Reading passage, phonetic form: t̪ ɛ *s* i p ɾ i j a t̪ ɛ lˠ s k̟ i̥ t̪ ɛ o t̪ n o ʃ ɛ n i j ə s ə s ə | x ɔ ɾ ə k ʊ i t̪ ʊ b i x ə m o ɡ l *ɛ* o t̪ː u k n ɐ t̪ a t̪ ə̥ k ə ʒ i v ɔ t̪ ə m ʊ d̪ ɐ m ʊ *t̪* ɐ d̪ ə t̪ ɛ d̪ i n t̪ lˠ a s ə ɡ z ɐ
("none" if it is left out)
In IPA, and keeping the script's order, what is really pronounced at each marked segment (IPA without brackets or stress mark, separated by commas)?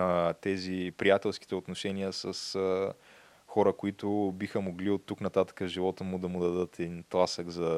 z, i, d̪